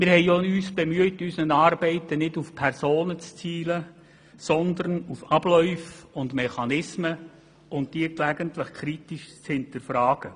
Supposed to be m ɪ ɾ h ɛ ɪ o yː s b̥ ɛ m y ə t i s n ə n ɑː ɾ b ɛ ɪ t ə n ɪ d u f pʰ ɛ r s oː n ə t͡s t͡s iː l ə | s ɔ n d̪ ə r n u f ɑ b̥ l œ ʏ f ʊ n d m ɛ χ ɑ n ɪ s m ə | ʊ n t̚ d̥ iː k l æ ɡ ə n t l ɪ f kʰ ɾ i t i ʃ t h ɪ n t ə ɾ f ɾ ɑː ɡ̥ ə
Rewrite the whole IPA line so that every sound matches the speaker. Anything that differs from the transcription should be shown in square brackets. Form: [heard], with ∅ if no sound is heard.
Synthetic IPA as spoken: m ɪ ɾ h ɛ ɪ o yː s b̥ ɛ m y ə t [y] s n ə n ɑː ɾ b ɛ ɪ t ə n ɪ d u f pʰ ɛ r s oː n ə t͡s t͡s iː l ə | s ɔ n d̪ ə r n u f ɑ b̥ l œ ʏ f ʊ n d m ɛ χ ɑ n ɪ s m ə | ʊ n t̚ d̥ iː k l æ ɡ ə n t l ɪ [χ] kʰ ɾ i t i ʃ [t͡s] h ɪ n t ə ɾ f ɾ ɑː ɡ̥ ə